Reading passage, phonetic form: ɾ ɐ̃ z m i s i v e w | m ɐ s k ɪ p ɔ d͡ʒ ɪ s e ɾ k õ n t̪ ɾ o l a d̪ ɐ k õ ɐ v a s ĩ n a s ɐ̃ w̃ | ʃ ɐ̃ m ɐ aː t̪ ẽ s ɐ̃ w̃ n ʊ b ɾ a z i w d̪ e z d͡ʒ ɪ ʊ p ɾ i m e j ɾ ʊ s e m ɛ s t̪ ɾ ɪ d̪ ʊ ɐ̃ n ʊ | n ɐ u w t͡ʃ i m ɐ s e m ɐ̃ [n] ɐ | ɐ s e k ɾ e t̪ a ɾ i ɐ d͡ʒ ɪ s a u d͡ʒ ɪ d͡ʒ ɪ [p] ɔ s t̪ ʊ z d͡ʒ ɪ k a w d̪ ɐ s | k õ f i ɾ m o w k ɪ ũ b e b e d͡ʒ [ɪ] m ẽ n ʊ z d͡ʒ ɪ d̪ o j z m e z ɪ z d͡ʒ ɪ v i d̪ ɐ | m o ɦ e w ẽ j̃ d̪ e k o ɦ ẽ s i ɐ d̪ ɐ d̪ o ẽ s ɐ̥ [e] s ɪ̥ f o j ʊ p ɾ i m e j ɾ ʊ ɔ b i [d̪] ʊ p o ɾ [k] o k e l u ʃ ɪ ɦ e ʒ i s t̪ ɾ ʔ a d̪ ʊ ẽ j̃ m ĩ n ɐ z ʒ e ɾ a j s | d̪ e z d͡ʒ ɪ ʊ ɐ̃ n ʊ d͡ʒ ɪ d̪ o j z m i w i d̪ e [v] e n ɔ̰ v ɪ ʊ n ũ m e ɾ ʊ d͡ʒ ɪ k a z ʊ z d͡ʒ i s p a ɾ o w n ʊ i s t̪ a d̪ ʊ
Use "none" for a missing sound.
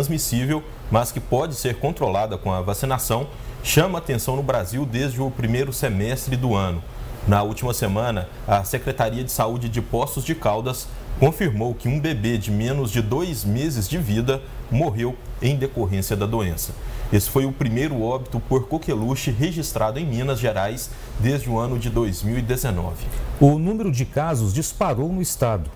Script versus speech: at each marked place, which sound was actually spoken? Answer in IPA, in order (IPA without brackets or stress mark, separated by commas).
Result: n, p, ɪ, e, t̪, k, z